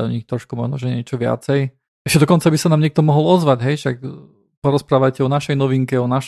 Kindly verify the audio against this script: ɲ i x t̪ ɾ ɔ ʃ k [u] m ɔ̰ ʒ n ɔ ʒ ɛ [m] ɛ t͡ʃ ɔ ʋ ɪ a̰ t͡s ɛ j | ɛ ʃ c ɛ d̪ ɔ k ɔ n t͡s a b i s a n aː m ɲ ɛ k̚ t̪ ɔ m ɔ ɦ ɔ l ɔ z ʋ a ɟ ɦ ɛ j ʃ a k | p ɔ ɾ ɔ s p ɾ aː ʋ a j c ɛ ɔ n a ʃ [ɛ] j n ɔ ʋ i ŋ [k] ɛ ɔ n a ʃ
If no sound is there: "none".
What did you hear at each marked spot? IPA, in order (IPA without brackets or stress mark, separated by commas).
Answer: u, ɲ, ɛ, k